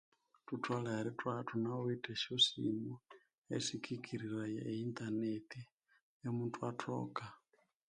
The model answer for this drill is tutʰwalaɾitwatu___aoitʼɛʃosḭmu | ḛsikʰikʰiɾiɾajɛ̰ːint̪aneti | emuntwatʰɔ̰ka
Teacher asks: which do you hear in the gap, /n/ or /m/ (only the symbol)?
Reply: n